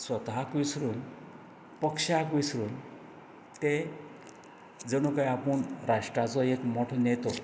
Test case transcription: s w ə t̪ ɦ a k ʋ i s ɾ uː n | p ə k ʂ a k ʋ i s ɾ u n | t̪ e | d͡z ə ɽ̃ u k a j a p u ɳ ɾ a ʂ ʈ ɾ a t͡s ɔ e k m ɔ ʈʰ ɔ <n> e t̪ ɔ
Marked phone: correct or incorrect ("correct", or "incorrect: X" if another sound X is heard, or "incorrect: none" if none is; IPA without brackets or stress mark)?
correct